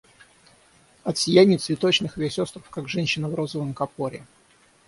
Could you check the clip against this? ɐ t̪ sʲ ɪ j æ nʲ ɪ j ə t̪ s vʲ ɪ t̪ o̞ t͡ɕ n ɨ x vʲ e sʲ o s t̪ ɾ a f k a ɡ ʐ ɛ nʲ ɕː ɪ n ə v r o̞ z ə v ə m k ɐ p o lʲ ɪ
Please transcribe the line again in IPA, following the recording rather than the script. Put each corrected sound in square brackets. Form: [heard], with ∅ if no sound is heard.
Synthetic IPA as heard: ɐ t̪ sʲ ɪ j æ nʲ ɪ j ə t̪ s vʲ ɪ t̪ o̞ t͡ɕ n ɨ x vʲ e sʲ o s t̪ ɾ [ə] f k a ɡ ʐ ɛ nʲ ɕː ɪ n ə v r o̞ z ə v ə m k ɐ p o [ɾʲ] ɪ

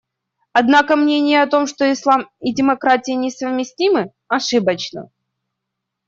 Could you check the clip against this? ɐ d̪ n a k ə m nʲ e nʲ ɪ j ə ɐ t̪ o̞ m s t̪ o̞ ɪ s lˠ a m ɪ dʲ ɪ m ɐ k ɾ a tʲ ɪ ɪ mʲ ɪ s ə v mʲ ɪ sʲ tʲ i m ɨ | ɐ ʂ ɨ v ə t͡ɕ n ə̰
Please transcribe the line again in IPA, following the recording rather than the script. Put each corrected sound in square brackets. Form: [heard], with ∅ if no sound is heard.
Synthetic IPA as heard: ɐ d̪ n a k ə m nʲ e nʲ ɪ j ə ɐ t̪ o̞ m [ʂ] t̪ o̞ ɪ s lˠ a m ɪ dʲ ɪ m ɐ k ɾ a tʲ ɪ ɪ [nʲ] ɪ s ə v mʲ ɪ sʲ tʲ i m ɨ | ɐ ʂ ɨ [b] ə t͡ɕ n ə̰

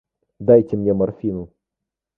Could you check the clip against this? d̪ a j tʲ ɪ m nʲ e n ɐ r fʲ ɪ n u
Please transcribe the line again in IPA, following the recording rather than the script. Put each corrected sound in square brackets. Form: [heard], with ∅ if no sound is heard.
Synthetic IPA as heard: d̪ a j tʲ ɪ m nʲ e [m] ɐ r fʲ [i] n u

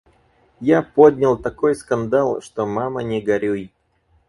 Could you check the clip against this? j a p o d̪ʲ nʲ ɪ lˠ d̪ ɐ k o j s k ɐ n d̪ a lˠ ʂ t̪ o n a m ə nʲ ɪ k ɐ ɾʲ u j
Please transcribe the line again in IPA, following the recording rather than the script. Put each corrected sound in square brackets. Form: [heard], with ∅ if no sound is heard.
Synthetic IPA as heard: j a p o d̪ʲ nʲ ɪ lˠ [t̪] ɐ k o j s k ɐ n d̪ a lˠ ʂ t̪ o [m] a m ə nʲ ɪ [ɡ] ɐ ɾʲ u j

